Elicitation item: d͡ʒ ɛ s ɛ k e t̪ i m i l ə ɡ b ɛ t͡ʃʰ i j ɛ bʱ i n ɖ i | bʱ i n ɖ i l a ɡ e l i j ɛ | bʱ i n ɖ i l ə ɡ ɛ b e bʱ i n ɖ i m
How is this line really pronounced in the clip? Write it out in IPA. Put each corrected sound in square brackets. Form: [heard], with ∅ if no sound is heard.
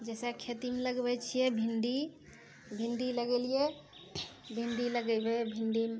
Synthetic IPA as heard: d͡ʒ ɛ s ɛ [kʰ] e t̪ i m [e] l ə ɡ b ɛ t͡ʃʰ i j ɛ bʱ i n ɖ i | bʱ i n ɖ i l [ə] ɡ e l i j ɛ | bʱ i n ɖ i l ə ɡ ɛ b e bʱ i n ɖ i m